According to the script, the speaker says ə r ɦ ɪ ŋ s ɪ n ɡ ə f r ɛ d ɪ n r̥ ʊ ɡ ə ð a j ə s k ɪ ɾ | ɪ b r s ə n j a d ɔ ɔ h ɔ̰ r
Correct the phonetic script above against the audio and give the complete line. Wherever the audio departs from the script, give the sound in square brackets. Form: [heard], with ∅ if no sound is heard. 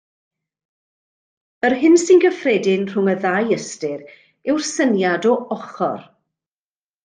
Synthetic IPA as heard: ə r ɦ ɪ [n] s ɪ n ɡ ə f r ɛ d ɪ n r̥ ʊ [ŋ] ə ð a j ə s [t] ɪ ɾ | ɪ [w] r s ə n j a d ɔ ɔ [χ] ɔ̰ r